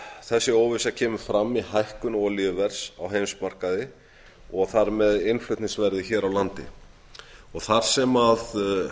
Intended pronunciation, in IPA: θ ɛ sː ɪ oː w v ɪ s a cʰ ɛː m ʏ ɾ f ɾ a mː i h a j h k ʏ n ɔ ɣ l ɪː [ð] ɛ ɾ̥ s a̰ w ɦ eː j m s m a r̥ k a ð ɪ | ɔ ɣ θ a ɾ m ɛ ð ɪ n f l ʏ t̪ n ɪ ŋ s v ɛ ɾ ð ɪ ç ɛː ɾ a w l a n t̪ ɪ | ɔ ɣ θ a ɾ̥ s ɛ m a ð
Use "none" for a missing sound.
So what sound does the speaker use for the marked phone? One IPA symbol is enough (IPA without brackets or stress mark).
v